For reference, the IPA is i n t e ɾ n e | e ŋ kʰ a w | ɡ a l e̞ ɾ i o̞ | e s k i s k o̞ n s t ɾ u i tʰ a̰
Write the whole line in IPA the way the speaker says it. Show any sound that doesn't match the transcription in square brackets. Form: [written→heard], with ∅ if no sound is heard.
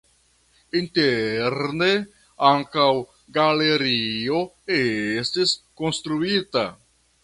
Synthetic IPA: i n t e ɾ n e | [e→a] ŋ [kʰ→k] a w | ɡ a l e̞ ɾ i o̞ | e s [k→t] i s k o̞ n s t ɾ u i [tʰ→t] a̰